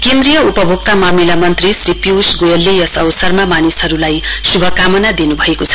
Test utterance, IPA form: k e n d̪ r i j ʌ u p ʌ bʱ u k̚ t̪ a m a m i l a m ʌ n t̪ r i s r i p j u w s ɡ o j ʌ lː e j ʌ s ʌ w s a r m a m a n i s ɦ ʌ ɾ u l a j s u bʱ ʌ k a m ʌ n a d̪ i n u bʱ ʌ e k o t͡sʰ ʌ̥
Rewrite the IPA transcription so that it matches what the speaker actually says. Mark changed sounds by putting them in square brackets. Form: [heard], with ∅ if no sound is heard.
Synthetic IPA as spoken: k e n d̪ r i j ʌ u p ʌ bʱ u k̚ t̪ a m a m i l a m ʌ n t̪ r i s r i p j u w s ɡ o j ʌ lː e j ʌ s ʌ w s [ʌ] r m a m a n i s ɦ ʌ ɾ u l a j s u bʱ ʌ k a m ʌ n a d̪ i n u bʱ ʌ e k o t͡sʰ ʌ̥

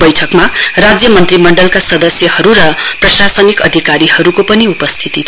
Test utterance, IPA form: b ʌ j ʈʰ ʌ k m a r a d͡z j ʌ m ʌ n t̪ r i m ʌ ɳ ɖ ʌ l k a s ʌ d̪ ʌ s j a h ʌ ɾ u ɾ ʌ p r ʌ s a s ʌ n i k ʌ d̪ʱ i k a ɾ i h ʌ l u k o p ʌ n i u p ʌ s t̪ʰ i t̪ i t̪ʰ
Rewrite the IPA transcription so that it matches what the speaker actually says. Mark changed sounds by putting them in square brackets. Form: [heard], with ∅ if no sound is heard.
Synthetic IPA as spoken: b ʌ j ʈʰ ʌ k m a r a d͡z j ʌ m ʌ n t̪ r i m ʌ ɳ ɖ ʌ l k a s ʌ d̪ ʌ s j [ʌ] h ʌ ɾ u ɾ ʌ p r ʌ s a s ʌ n i k ʌ d̪ʱ i k a ɾ i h ʌ [ɾ] u k o p ʌ n i u p ʌ s t̪ʰ i t̪ i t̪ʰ

